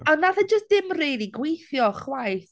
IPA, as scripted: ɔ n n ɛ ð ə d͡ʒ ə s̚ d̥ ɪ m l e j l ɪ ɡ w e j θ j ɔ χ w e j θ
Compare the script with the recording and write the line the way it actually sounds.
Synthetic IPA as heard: ɔ n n a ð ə d͡ʒ ə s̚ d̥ ɪ m r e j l i ɡ w e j θ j ɔ χ w a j θ